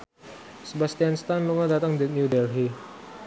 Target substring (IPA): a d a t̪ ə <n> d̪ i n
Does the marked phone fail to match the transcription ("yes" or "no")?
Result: yes